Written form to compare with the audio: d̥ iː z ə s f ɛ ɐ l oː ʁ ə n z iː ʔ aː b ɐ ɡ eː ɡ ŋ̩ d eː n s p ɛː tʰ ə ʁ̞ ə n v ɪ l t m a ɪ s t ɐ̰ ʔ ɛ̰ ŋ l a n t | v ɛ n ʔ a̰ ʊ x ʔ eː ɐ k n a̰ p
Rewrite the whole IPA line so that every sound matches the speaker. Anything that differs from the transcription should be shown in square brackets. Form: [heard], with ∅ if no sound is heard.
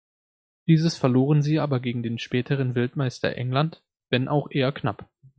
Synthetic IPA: d̥ iː z ə s f ɛ ɐ l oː ʁ ə n z iː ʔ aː b ɐ ɡ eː ɡ ŋ̩ d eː n [ʃ] p ɛː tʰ ə ʁ̞ ə n v ɪ l t m a ɪ s t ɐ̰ ʔ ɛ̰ ŋ l a n t | v ɛ n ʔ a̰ ʊ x ʔ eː ɐ k n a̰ p